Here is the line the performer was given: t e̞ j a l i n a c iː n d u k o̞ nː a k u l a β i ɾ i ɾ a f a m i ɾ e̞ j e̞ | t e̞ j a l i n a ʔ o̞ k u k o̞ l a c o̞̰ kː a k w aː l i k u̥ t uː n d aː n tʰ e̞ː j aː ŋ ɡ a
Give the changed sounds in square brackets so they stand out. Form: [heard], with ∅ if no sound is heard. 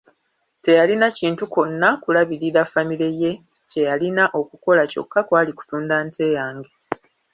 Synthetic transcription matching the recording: t e̞ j a l i n a c iː n [t] u k o̞ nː a k u l a β i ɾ i ɾ a f a m i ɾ e̞ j e̞ | [c] e̞ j a l i n a ʔ o̞ k u k o̞ l a c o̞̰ kː a k w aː l i k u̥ t uː n d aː n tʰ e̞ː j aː ŋ ɡ [e]